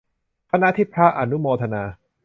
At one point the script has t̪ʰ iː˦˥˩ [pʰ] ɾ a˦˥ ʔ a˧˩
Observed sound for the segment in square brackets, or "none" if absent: pʰ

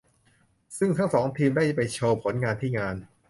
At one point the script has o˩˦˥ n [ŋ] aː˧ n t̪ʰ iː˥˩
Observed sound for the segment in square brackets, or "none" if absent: ŋ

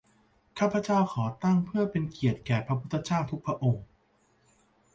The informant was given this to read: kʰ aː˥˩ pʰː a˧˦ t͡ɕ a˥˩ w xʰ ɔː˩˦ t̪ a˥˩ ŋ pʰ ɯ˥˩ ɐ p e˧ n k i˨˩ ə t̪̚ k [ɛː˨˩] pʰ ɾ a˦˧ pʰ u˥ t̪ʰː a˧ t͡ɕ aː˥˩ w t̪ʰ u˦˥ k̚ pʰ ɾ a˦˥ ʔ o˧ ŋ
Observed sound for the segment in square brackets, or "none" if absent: ɛː˨˩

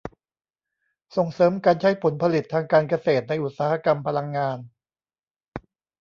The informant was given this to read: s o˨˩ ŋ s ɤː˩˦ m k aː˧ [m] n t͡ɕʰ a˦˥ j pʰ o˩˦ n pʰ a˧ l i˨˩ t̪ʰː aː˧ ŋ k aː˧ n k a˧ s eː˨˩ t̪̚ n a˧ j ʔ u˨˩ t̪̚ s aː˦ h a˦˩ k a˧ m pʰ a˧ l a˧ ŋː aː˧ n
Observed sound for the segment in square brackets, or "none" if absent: none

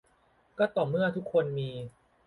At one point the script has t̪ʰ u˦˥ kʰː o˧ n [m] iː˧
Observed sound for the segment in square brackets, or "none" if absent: m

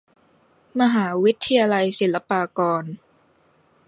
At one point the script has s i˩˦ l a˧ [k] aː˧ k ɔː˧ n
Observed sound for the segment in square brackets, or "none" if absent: p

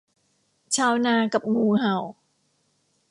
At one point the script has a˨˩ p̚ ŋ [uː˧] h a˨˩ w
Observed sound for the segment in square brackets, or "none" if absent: uː˧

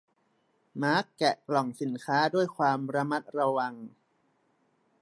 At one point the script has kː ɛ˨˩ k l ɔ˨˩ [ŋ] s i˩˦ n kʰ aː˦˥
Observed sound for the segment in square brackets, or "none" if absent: ŋ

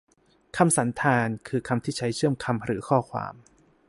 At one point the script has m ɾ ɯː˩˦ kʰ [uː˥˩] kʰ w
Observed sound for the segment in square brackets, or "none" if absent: ɔː˥˩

